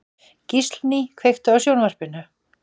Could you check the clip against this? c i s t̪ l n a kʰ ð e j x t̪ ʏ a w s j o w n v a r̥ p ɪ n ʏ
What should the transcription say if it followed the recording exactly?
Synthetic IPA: c i s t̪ l n i kʰ v e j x t̪ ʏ a w s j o w n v a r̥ p ɪ n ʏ

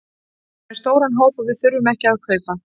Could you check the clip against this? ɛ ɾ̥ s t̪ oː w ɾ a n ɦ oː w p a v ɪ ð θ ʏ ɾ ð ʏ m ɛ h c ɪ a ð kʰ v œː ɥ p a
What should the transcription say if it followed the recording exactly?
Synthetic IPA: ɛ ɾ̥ s t̪ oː w ɾ a n ɦ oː w p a v ɪ ð θ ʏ ɾ v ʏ m ɛ h c ɪ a ð kʰ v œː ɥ p a

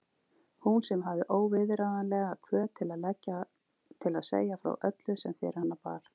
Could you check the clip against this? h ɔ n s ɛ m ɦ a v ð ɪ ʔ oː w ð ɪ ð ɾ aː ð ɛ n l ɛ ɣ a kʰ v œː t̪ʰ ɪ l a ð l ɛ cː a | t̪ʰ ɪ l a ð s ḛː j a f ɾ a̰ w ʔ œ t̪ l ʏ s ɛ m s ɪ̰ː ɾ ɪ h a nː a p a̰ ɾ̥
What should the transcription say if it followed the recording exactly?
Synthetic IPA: h u n s ɛ m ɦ a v ð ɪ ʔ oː w v ɪ ð ɾ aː ð a n l ɛ ɣ a kʰ v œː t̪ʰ ɪ l a ð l ɛ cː a | t̪ʰ ɪ l a ð s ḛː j a f ɾ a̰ w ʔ œ t̪ l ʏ s ɛ m f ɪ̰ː ɾ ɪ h a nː a p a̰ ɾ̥

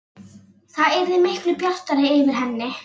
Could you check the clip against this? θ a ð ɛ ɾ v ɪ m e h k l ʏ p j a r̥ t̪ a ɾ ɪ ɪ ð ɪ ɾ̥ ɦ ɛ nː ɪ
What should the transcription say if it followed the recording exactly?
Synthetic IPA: θ a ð ɛ ɾ ð ɪ m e h k l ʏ p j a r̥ t̪ a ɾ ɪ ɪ v ɪ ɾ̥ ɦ ɛ nː ɪ

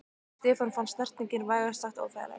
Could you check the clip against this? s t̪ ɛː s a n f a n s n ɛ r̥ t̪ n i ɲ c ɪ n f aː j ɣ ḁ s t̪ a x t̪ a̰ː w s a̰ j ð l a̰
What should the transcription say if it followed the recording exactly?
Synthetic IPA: s t̪ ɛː f a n f a n s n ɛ r̥ t̪ n i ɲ c ɪ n v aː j ɣ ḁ s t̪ a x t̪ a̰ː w f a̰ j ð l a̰

